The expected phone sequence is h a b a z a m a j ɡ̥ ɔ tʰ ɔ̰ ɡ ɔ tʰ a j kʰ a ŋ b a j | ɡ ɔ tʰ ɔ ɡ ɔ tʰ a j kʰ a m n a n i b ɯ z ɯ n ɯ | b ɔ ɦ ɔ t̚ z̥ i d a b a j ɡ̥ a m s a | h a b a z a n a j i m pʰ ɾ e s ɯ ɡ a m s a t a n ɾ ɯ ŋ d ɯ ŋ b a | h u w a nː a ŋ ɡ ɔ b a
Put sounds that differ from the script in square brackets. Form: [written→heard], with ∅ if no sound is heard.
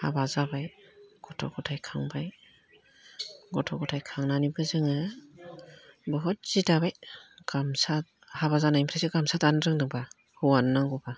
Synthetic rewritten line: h a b a z a [m→b] a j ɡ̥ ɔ tʰ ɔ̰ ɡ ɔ tʰ a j kʰ a ŋ b a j | ɡ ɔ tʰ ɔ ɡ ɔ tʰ a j kʰ a [m→ŋ] n a n i b ɯ z ɯ [n→ŋ] ɯ | b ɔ ɦ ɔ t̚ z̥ i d a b a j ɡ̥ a m s a | h a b a z a n a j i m pʰ ɾ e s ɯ ɡ a m s a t a n ɾ ɯ ŋ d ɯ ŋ b a | h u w a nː a ŋ ɡ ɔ b a